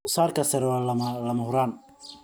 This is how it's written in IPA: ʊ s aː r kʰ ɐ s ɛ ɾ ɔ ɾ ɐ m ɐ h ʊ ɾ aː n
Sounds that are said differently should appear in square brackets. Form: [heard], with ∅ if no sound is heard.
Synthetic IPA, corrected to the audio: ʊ s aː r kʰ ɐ s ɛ ɾ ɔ [l] ɐ m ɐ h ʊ ɾ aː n